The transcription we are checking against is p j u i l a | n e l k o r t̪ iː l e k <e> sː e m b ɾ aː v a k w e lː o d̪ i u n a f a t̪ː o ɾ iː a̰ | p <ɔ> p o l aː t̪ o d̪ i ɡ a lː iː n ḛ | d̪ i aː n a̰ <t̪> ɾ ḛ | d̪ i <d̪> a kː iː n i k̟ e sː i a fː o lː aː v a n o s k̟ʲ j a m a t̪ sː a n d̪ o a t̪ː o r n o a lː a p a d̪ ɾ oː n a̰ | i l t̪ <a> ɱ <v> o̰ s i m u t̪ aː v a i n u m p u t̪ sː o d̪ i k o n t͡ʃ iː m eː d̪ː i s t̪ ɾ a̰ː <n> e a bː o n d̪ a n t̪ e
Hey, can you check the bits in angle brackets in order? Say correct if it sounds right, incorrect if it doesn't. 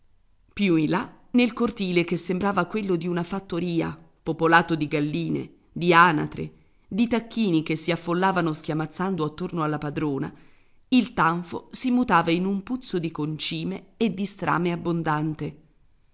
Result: correct, incorrect: o, correct, incorrect: t̪, correct, incorrect: f, incorrect: m

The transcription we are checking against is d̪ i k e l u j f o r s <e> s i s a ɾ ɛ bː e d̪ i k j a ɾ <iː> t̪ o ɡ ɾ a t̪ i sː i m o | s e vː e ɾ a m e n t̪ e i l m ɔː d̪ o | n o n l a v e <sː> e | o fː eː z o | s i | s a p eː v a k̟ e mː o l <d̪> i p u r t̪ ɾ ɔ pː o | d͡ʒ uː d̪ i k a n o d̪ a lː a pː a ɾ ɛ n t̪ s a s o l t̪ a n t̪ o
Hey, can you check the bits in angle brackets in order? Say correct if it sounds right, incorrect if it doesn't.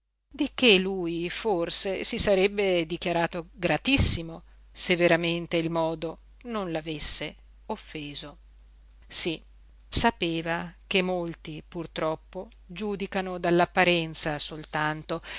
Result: correct, incorrect: aː, correct, incorrect: t̪

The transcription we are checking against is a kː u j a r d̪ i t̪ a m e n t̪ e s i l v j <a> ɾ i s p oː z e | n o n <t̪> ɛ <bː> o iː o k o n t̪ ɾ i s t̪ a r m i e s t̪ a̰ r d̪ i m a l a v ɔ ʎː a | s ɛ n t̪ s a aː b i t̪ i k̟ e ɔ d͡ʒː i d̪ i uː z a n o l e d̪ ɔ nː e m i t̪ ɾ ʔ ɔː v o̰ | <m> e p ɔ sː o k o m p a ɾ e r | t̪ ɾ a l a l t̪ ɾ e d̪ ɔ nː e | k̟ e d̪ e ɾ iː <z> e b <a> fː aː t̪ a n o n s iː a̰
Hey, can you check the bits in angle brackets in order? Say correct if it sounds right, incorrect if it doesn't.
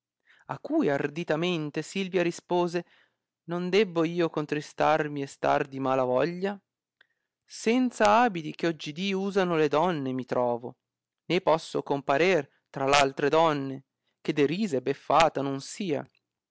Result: correct, incorrect: d̪, correct, incorrect: n, correct, incorrect: e

